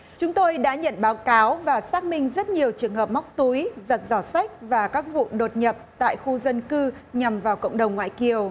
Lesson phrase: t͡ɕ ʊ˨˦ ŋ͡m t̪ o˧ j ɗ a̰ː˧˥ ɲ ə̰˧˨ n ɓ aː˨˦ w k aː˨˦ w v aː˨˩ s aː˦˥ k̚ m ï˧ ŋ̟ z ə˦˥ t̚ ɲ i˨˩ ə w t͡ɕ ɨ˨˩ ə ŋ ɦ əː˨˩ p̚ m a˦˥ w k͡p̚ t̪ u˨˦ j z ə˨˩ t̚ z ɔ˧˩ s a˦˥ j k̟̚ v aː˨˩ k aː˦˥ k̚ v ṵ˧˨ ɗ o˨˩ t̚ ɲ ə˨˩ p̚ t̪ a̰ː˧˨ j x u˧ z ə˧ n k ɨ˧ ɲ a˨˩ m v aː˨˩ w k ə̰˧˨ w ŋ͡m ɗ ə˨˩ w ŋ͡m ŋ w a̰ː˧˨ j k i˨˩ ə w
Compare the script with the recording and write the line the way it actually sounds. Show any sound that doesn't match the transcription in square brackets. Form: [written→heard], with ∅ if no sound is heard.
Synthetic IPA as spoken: t͡ɕ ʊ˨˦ ŋ͡m t̪ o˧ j ɗ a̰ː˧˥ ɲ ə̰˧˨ n ɓ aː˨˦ w k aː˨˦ w v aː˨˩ s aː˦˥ k̚ m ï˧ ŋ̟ z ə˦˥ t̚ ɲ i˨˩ ə w t͡ɕ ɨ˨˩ ə ŋ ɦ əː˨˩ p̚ m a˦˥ w k͡p̚ t̪ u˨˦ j z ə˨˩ t̚ z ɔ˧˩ s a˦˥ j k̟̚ v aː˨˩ k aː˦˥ k̚ v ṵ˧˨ ɗ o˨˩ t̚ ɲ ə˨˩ p̚ t̪ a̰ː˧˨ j x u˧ z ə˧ n k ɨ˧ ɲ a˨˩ m v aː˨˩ w k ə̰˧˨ w ŋ͡m ɗ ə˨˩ w ŋ͡m ŋ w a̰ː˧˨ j k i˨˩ ə w

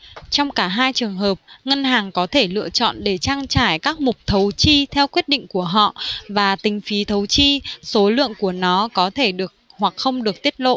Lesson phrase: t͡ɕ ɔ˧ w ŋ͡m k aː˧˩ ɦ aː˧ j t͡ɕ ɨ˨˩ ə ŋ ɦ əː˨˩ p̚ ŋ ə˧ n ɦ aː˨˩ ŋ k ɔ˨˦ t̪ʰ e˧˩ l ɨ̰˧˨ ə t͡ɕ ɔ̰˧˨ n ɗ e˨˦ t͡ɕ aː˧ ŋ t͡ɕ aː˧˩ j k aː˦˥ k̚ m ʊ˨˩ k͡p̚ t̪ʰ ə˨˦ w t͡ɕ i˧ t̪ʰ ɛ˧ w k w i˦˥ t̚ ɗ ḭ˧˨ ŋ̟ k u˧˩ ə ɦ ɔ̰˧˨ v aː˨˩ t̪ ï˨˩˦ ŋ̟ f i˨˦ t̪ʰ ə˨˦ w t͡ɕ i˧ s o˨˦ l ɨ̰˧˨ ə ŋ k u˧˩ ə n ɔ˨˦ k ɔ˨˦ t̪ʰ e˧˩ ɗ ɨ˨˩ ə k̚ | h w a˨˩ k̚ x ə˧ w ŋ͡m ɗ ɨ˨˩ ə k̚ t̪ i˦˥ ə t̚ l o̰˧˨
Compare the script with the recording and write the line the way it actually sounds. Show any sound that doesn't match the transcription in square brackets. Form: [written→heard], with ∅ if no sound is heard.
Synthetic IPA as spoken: t͡ɕ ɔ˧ w ŋ͡m k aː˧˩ ɦ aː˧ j t͡ɕ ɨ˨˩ ə ŋ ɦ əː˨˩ p̚ ŋ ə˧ n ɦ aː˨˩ ŋ k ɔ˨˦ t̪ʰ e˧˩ l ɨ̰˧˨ ə t͡ɕ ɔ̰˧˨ n ɗ [e˨˦→e˧˩] t͡ɕ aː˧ ŋ t͡ɕ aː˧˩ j k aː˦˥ k̚ m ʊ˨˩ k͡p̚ t̪ʰ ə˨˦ w t͡ɕ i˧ t̪ʰ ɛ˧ w k w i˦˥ t̚ ɗ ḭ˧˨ ŋ̟ k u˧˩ ə ɦ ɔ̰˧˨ v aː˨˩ t̪ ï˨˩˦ ŋ̟ f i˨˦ t̪ʰ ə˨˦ w t͡ɕ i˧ s o˨˦ l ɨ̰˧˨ ə ŋ k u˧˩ ə n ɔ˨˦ k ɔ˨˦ t̪ʰ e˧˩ ɗ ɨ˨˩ ə k̚ | h w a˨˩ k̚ x ə˧ w ŋ͡m ɗ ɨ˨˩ ə k̚ t̪ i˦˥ ə t̚ l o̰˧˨

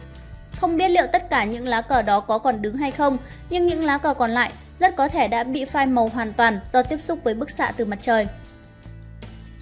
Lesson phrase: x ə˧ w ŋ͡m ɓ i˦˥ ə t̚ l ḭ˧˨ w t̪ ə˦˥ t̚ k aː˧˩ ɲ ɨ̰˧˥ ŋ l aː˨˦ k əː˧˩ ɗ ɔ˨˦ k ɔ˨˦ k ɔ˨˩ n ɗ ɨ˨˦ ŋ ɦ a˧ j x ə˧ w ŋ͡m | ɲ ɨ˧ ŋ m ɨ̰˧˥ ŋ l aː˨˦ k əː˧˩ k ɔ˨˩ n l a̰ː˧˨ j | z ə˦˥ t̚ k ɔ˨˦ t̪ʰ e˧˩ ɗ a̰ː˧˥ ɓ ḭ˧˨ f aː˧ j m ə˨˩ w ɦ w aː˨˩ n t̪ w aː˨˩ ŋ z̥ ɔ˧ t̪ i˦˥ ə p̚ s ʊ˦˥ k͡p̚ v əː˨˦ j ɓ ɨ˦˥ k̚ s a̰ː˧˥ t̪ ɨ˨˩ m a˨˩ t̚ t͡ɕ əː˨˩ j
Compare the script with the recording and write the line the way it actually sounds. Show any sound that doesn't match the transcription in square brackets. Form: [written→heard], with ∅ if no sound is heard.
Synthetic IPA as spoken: x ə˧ w ŋ͡m ɓ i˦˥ ə t̚ l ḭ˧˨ w t̪ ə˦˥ t̚ k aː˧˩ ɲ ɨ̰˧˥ ŋ l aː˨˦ k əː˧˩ ɗ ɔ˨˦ k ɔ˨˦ k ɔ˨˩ n ɗ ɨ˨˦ ŋ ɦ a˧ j x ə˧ w ŋ͡m | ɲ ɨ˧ ŋ [m→ɲ] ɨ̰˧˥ ŋ l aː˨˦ k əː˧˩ k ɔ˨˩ n l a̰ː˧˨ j | z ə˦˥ t̚ k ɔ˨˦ t̪ʰ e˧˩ ɗ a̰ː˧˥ ɓ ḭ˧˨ f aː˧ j m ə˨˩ w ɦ w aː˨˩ n t̪ w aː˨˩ [ŋ→n] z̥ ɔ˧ t̪ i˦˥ ə p̚ s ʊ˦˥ k͡p̚ v əː˨˦ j ɓ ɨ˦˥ k̚ s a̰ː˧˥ t̪ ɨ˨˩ m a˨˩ t̚ t͡ɕ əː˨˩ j

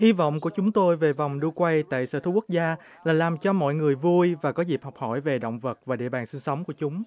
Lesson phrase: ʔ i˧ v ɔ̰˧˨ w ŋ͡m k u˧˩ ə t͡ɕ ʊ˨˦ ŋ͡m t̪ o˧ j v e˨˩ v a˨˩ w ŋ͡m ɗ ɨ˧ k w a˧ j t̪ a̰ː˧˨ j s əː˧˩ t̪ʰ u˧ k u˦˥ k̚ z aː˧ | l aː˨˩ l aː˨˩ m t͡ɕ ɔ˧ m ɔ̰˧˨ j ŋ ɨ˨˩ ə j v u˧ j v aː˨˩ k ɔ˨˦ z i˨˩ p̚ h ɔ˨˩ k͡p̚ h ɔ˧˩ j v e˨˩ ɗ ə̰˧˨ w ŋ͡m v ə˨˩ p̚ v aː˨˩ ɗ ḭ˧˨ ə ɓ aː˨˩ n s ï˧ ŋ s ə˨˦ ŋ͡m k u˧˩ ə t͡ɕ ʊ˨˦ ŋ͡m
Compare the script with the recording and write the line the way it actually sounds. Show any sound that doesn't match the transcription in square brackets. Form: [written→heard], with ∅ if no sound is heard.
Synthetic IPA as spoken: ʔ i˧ v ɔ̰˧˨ w ŋ͡m k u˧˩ ə t͡ɕ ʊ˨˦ ŋ͡m t̪ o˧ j v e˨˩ v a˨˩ w ŋ͡m ɗ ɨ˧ k w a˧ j t̪ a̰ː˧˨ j s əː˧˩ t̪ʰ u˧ k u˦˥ k̚ z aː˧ | l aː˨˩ l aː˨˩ m t͡ɕ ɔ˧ m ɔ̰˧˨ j ŋ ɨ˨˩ ə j v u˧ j v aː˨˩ k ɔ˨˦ z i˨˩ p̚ h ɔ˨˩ k͡p̚ h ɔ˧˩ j v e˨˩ ɗ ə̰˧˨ w ŋ͡m v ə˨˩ [p̚→t̚] v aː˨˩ ɗ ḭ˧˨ ə ɓ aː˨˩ n s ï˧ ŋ s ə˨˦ ŋ͡m k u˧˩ ə t͡ɕ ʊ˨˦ ŋ͡m

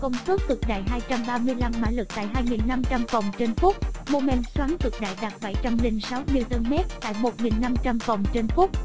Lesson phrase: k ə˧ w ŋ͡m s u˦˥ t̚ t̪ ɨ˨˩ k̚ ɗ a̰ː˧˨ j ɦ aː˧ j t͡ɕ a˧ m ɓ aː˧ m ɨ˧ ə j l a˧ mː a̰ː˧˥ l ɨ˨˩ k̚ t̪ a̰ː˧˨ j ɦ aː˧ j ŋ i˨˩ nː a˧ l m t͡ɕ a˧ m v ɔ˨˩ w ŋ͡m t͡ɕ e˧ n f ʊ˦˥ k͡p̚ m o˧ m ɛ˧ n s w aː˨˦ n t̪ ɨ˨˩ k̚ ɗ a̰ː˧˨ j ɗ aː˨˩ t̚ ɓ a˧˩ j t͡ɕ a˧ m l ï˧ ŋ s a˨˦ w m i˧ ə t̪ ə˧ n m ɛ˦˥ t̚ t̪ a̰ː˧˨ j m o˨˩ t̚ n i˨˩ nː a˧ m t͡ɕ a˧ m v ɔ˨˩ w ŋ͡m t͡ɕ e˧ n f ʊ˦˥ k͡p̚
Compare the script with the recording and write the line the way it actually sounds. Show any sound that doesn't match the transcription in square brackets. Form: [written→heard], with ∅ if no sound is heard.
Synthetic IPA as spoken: k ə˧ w ŋ͡m s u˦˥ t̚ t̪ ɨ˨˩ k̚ ɗ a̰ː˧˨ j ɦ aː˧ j t͡ɕ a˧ m ɓ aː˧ m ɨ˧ ə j l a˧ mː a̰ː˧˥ l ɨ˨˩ k̚ t̪ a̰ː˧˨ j ɦ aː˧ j ŋ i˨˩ nː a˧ [l→∅] m t͡ɕ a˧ m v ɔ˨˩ w ŋ͡m t͡ɕ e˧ n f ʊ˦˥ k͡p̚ m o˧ m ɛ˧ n s w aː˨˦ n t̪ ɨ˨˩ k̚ ɗ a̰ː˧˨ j ɗ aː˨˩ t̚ ɓ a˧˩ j t͡ɕ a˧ m l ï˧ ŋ s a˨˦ w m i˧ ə t̪ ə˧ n m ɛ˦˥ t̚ t̪ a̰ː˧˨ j m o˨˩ t̚ [n→ŋ] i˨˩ nː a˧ m t͡ɕ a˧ m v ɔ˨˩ w ŋ͡m t͡ɕ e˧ n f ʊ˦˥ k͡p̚

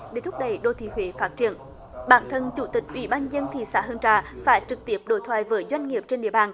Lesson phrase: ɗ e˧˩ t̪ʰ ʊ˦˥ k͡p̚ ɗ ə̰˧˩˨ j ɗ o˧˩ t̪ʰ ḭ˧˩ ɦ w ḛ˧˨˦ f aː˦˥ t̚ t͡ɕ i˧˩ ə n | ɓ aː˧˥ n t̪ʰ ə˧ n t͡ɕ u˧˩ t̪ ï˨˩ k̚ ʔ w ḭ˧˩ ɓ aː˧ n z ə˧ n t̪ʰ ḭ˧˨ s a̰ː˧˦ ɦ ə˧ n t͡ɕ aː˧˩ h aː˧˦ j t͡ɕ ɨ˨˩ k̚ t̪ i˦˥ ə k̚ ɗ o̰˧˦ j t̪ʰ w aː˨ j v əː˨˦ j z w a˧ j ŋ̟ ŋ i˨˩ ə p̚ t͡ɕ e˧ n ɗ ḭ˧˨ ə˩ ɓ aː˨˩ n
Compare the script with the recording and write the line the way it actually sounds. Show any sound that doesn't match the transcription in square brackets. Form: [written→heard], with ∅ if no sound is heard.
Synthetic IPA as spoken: ɗ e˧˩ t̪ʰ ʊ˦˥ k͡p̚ ɗ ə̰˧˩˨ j ɗ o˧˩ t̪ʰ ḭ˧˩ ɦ w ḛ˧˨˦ f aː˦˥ t̚ t͡ɕ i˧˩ ə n | ɓ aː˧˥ n t̪ʰ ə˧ n t͡ɕ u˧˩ t̪ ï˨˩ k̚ ʔ w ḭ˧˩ ɓ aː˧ n z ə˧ n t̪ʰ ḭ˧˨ s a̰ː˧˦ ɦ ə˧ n t͡ɕ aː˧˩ [h→f] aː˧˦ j t͡ɕ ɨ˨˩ k̚ t̪ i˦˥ ə [k̚→p̚] ɗ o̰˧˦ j t̪ʰ w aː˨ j v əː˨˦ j z w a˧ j ŋ̟ ŋ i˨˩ ə p̚ t͡ɕ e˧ n ɗ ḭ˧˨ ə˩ ɓ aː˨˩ n

